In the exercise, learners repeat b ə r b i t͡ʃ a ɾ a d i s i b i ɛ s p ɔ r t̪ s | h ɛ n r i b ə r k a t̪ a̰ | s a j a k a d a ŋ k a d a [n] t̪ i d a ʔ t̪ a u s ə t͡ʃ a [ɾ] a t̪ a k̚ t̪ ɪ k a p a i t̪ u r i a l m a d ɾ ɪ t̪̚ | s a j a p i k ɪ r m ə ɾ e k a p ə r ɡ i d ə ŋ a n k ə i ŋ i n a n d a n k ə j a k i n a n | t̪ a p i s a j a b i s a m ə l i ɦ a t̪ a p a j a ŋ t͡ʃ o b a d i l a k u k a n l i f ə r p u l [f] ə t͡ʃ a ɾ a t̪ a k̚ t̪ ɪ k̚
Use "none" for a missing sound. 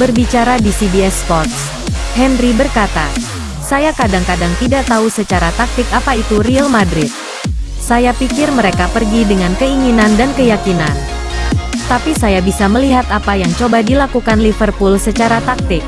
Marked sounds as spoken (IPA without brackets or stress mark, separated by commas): ŋ, ɾ, s